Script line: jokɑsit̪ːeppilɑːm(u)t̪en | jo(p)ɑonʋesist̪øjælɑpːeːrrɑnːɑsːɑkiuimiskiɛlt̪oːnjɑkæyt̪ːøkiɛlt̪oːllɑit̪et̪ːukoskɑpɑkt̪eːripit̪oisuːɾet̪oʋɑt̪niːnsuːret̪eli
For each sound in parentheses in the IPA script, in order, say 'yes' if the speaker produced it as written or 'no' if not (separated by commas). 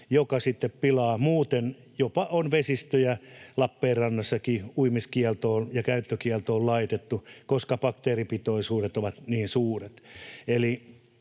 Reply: no, yes